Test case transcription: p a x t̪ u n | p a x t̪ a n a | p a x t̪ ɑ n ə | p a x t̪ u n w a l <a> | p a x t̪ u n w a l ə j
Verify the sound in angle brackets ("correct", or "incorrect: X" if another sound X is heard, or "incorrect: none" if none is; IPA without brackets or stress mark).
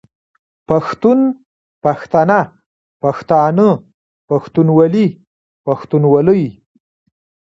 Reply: incorrect: i